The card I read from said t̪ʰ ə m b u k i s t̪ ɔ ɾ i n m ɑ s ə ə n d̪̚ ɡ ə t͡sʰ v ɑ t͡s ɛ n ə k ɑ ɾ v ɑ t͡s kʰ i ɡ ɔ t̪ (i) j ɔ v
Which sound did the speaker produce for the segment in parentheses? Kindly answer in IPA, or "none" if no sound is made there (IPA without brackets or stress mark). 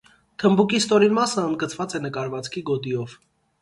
i